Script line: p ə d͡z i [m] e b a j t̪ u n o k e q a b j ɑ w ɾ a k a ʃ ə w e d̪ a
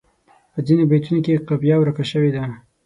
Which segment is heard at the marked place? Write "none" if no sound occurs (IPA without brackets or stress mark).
n